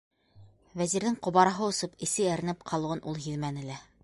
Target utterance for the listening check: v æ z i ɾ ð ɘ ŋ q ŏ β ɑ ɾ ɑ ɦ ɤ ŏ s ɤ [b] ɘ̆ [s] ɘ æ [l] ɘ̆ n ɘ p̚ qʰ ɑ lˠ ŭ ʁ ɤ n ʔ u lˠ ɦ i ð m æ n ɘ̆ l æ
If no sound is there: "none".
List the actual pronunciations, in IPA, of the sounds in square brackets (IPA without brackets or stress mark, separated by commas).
p, s, ɾ